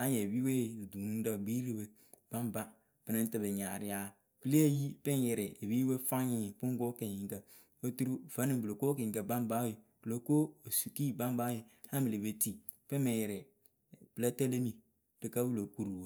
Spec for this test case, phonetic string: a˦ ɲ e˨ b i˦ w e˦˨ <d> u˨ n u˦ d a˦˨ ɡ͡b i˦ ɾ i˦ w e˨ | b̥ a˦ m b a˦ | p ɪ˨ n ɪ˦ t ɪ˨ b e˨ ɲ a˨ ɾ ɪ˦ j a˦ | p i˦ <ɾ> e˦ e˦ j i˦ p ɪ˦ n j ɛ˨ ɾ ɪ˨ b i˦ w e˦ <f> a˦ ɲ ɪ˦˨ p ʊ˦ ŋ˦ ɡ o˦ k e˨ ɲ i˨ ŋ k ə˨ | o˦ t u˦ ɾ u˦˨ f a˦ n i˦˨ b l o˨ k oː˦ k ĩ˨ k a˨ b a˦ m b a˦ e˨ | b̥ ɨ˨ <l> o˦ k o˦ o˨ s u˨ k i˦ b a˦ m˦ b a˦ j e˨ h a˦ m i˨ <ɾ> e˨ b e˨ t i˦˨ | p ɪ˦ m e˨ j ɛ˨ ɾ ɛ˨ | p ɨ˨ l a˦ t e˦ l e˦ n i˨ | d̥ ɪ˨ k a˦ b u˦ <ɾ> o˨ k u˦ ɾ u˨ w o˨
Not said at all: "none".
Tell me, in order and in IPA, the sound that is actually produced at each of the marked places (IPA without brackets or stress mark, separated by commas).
d, l, f, l, l, l